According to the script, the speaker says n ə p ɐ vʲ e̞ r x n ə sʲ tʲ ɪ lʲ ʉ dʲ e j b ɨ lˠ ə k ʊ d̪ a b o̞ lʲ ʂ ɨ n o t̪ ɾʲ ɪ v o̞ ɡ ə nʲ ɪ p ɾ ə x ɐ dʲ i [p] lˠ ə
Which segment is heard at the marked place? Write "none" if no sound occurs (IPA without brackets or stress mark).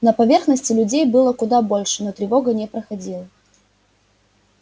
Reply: none